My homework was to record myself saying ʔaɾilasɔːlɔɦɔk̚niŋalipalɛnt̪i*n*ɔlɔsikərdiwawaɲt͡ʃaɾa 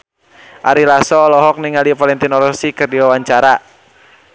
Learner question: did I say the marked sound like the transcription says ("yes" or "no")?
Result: yes